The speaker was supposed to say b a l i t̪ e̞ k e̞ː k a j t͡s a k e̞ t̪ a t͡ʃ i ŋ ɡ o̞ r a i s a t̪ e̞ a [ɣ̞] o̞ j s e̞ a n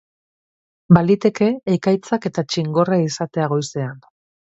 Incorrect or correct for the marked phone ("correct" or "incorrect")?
correct